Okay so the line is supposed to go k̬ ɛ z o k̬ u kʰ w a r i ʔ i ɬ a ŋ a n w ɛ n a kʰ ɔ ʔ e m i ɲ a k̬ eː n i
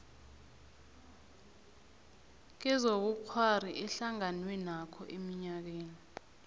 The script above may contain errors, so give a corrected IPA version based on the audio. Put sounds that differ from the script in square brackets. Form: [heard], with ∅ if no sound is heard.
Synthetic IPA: k̬ ɛ z o k̬ u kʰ w a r i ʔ [ɛ] ɬ a ŋ a n w ɛ n a kʰ ɔ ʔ e m i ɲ a k̬ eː n i

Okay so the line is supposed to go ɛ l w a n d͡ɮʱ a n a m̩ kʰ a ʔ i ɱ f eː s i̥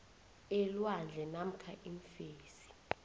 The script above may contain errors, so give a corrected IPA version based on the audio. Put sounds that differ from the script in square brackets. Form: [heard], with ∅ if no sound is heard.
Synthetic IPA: ɛ l w a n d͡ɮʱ [ɛ] n a m̩ kʰ a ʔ i ɱ f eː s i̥

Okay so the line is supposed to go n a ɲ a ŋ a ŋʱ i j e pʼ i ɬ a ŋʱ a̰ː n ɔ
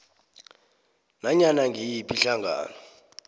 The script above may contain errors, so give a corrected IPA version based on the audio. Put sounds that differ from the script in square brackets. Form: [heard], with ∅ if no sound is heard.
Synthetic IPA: n a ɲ a [n] a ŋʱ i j [i] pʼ i ɬ a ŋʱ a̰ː n ɔ

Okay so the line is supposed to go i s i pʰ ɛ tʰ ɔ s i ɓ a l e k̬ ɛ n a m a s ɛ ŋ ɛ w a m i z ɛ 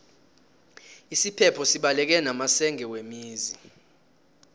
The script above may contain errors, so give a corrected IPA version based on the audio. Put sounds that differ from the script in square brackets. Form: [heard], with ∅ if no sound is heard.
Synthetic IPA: i s i pʰ ɛ [pʰ] ɔ s i ɓ a l [ɛ] k̬ ɛ n a m a s ɛ ŋ ɛ w [e] m [iː] z [i]

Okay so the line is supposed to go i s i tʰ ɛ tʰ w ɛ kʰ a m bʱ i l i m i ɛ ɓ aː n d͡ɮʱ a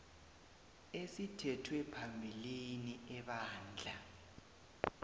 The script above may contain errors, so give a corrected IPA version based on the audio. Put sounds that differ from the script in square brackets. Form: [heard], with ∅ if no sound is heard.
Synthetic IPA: [e] s i tʰ ɛ tʰ w ɛ [pʰ] a m bʱ i l i [n] i ɛ ɓ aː n d͡ɮʱ a

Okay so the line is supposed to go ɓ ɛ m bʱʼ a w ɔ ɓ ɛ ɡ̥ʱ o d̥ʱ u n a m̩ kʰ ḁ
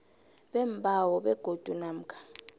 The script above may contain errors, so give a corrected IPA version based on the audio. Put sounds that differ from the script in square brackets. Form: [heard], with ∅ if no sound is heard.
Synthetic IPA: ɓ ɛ m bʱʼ a w ɔ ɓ ɛ ɡ̥ʱ o d̥ʱ u n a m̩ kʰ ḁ

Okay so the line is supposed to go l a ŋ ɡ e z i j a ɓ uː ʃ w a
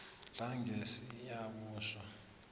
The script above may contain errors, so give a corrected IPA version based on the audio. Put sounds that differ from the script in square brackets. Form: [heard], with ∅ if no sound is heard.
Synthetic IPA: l a ŋ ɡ e [s] i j a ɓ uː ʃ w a

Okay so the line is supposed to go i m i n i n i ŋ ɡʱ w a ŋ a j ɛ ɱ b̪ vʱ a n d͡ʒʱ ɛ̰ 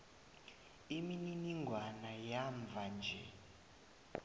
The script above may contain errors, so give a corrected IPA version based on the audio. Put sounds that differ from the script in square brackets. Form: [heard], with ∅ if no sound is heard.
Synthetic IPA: i m i n i n i ŋ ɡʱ w a [n] a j [a] ɱ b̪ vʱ a n d͡ʒʱ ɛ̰

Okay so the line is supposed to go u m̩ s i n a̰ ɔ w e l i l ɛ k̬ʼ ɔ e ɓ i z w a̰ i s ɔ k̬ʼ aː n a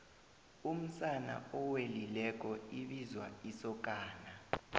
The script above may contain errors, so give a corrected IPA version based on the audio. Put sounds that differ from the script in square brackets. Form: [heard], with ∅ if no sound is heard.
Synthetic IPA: u m̩ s [a] n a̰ ɔ w e l i l ɛ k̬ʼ ɔ [i] ɓ i z w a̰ i s ɔ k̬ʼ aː n a

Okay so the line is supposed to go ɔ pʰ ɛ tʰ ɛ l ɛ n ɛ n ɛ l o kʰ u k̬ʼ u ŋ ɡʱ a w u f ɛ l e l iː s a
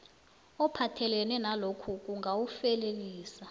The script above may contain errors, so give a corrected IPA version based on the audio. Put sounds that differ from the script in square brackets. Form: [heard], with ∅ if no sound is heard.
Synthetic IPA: ɔ pʰ [a] tʰ ɛ l ɛ n ɛ n [a] l o kʰ u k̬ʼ u ŋ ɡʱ a w u f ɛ l e l iː s a

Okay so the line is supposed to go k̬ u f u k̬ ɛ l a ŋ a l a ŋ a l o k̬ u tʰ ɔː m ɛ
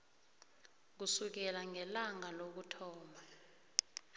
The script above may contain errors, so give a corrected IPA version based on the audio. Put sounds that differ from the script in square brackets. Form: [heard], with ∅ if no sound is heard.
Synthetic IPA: k̬ u [s] u k̬ ɛ l a ŋ [ɛ] l a ŋ a l o k̬ u tʰ ɔː m [a]

